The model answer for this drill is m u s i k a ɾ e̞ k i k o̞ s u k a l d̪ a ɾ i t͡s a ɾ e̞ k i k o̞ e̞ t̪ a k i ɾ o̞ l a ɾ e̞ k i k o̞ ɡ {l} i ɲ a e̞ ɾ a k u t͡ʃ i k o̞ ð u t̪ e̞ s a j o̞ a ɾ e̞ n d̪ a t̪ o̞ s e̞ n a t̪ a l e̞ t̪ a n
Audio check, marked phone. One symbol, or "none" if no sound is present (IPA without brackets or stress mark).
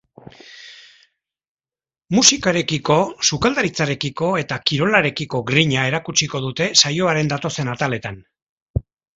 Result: ɾ